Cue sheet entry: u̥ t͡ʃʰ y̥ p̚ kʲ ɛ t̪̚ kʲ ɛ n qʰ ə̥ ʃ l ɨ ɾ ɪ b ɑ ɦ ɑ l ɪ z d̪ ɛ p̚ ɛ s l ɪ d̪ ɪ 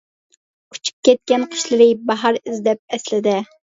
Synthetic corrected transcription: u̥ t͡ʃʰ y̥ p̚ kʲ ɛ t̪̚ kʲ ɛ n qʰ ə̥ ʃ l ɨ ɾ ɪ b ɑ ɦ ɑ ɾ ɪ z d̪ ɛ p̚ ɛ s l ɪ d̪ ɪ